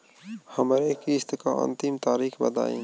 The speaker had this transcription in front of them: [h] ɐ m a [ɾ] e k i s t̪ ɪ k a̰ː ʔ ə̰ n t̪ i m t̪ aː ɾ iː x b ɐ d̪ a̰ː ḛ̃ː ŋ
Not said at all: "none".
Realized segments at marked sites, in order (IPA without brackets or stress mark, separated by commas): h, ɾ